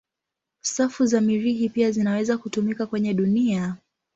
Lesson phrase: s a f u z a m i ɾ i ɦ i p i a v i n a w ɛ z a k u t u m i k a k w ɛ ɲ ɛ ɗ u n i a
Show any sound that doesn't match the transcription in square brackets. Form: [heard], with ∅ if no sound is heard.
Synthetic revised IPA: s a f u z a m i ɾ i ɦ i p i a [z] i n a w ɛ z a k u t u m i k a k w ɛ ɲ ɛ ɗ u n i a